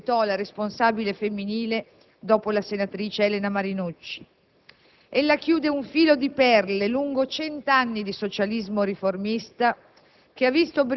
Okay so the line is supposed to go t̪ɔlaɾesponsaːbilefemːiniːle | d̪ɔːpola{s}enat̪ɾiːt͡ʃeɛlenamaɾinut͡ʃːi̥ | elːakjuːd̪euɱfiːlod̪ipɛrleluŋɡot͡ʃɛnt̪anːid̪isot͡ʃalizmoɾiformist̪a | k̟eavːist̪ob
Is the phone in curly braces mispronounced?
no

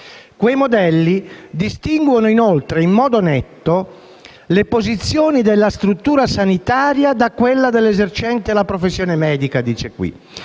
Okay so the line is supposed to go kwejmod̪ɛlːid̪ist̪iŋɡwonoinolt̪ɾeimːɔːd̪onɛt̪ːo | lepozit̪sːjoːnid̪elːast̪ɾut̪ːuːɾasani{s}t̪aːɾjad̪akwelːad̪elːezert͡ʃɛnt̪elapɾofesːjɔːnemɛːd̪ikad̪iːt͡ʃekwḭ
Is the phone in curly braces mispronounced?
yes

